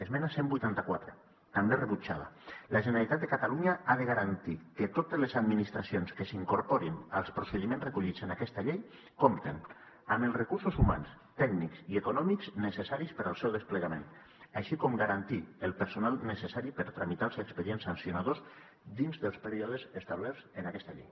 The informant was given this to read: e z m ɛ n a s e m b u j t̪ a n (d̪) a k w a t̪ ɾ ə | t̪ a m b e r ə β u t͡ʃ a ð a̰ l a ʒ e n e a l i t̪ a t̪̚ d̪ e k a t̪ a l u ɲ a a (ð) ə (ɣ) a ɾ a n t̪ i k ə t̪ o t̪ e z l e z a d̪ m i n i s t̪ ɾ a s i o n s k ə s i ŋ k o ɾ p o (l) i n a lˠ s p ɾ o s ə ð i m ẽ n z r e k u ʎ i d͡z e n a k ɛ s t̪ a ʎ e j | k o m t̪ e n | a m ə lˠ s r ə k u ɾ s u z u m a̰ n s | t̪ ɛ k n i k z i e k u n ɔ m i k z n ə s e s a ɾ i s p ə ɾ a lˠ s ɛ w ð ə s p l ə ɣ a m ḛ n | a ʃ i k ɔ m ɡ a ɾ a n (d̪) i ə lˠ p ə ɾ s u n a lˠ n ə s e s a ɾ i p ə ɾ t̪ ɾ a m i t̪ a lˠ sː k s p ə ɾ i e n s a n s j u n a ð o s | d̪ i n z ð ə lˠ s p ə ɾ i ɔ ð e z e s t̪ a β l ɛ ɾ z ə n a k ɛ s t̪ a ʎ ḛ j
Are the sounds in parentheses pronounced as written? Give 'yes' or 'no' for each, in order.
no, yes, yes, no, no

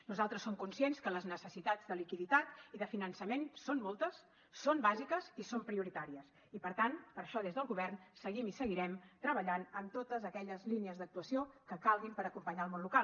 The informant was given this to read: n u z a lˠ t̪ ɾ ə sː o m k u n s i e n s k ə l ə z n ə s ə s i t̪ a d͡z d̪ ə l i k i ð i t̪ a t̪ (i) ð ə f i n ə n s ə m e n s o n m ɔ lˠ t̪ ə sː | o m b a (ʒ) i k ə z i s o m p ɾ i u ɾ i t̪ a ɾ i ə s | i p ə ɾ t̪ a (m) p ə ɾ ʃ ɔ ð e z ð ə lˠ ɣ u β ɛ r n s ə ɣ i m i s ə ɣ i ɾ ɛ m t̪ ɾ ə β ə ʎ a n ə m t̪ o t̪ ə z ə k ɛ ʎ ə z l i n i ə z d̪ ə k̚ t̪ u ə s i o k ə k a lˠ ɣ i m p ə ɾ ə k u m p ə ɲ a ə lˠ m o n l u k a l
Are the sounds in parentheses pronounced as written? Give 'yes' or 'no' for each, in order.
yes, no, no

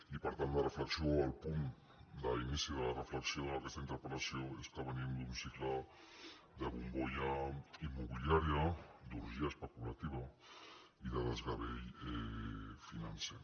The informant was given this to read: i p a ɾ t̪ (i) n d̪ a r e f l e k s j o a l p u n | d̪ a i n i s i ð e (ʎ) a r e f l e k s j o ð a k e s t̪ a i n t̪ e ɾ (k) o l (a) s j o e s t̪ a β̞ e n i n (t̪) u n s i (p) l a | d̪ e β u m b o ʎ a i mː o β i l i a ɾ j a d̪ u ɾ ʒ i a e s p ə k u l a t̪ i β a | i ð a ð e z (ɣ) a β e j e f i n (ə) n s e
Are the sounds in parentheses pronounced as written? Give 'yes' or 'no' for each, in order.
no, no, no, yes, no, no, yes, no

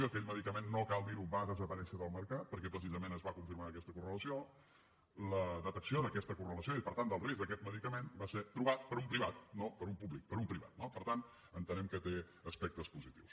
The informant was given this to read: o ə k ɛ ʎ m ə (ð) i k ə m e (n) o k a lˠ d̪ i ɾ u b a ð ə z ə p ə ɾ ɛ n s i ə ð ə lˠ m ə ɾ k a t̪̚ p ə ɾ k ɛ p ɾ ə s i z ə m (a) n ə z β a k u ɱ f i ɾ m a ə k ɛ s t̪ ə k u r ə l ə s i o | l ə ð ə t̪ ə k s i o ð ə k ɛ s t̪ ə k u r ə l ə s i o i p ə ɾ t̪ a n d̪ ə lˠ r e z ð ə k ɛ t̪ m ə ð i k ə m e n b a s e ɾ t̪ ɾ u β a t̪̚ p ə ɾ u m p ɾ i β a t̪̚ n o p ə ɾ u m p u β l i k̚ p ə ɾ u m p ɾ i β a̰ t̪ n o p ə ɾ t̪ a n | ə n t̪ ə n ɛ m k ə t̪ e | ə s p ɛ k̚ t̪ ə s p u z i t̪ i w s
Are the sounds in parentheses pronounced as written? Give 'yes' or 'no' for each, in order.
yes, no, no

